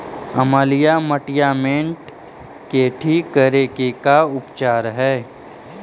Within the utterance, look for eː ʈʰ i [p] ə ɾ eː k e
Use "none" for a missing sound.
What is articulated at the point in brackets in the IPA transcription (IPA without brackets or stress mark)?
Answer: k